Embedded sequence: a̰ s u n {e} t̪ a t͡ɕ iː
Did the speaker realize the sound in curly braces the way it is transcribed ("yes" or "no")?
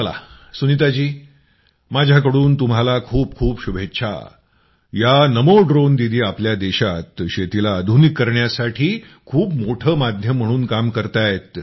no